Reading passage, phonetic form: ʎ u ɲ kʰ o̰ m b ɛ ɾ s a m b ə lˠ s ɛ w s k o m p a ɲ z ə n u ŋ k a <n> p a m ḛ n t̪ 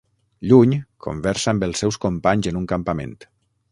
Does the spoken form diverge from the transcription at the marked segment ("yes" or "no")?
yes